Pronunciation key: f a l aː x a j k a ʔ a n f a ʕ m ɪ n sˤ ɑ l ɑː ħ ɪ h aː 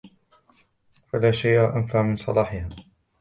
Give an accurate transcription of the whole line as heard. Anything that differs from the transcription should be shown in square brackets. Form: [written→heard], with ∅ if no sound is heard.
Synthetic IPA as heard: f a l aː [x→ʃ] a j [k→ʔ] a ʔ a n f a ʕ m ɪ n sˤ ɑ l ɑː ħ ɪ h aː